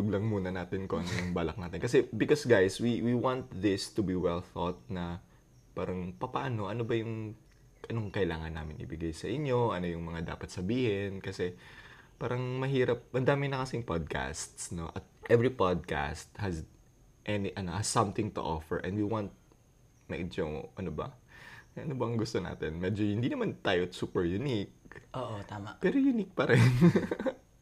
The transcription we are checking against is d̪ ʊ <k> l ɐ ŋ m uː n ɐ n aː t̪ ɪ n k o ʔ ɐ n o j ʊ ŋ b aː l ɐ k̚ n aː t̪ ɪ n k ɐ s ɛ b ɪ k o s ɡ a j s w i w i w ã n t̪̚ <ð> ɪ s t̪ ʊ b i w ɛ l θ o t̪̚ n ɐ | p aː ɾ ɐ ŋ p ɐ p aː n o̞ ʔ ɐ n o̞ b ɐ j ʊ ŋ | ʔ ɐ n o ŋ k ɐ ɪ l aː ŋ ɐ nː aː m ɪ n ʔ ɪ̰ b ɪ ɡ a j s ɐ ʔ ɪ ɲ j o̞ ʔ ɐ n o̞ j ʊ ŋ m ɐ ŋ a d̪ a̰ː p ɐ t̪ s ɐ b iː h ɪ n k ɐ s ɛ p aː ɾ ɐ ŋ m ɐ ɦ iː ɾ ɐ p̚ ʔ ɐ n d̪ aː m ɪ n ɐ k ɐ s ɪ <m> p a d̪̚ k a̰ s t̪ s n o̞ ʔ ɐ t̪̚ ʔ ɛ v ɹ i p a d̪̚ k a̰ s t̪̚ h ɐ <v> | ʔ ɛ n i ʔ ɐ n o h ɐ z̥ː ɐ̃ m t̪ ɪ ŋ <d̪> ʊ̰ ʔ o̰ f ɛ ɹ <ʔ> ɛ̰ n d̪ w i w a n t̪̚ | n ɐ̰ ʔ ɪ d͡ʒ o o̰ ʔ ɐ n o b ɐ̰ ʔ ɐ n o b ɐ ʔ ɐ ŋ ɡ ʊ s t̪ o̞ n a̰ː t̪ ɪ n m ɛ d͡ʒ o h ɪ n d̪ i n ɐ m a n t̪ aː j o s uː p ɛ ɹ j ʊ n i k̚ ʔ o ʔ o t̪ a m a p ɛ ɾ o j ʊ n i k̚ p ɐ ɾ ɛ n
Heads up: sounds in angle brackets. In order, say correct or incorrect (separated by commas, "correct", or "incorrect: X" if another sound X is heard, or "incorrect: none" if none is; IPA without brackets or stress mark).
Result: incorrect: ɡ, correct, incorrect: ŋ, incorrect: z, incorrect: t̪, correct